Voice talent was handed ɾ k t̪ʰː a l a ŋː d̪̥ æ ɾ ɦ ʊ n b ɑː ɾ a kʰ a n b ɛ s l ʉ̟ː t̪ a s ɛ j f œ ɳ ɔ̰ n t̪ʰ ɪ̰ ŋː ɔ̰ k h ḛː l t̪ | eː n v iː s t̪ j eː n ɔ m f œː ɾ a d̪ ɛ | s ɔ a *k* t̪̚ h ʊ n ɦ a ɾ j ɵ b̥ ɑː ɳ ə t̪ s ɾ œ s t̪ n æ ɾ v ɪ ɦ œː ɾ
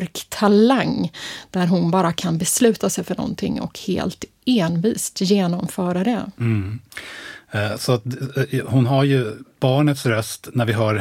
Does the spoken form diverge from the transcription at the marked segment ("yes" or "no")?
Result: yes